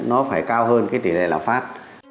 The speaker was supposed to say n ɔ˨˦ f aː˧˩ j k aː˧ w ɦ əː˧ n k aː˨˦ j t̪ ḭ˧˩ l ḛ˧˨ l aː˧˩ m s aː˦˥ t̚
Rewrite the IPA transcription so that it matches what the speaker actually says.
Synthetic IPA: n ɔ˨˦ f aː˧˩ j k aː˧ w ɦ əː˧ n k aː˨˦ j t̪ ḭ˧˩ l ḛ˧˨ l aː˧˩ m f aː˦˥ t̚